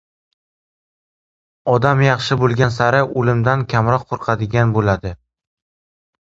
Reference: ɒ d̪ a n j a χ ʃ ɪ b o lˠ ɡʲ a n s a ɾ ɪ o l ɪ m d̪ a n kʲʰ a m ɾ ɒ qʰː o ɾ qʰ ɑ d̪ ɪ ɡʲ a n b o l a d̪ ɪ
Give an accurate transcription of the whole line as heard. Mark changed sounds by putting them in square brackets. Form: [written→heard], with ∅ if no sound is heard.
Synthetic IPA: ɒ d̪ a [n→m] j [a→ɑ] χ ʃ ɪ b o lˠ ɡʲ a n s a ɾ ɪ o l ɪ m d̪ a n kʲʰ a m ɾ ɒ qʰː o ɾ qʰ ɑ d̪ ɪ ɡʲ a n b o l a d̪ ɪ